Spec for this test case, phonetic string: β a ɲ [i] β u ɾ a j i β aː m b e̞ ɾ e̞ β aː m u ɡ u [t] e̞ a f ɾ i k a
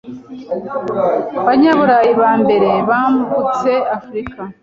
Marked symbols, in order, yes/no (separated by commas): no, no